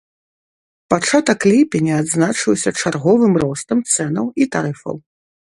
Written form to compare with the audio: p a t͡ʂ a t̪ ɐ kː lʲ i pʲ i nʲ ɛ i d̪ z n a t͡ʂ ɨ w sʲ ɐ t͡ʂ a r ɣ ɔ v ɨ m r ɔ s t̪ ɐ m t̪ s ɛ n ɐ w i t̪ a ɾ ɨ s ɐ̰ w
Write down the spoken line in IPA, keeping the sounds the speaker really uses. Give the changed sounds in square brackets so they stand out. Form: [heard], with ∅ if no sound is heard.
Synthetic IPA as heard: p a t͡ʂ a t̪ ɐ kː lʲ i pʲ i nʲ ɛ [a] d̪ z n a t͡ʂ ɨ w sʲ ɐ t͡ʂ a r ɣ ɔ v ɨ m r ɔ s t̪ ɐ m t̪ s ɛ n ɐ w i t̪ a ɾ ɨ [f] ɐ̰ w